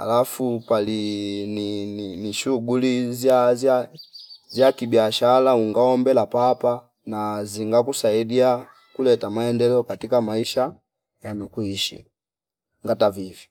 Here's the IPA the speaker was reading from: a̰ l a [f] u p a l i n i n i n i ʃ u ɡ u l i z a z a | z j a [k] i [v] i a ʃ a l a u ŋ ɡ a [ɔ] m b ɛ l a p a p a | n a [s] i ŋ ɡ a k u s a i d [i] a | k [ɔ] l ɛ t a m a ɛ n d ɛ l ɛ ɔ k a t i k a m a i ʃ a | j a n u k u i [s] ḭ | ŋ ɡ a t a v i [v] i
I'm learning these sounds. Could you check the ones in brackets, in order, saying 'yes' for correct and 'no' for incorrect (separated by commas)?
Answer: yes, yes, no, yes, no, yes, no, no, yes